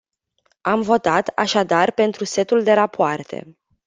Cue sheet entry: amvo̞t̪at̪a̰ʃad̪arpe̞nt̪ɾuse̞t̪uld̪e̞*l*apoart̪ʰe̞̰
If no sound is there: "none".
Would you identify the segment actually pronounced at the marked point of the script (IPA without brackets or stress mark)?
ɾ